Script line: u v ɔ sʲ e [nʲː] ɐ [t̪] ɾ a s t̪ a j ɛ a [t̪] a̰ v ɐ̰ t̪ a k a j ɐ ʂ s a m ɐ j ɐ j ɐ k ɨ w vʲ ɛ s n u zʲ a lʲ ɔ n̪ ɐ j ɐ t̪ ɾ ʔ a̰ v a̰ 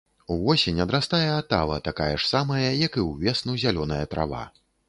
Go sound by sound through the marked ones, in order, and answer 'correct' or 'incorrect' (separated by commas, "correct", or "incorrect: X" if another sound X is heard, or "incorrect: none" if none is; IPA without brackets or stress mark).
incorrect: nʲ, incorrect: d̪, correct